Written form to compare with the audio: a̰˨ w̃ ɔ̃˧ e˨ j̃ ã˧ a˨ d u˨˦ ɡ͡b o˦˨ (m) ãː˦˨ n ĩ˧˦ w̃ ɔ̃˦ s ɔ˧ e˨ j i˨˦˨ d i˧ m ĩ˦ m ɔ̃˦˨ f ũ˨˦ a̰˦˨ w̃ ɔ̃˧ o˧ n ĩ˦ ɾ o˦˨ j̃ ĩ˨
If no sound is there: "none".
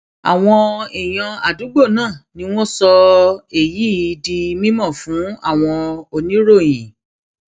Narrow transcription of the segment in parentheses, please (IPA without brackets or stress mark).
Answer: n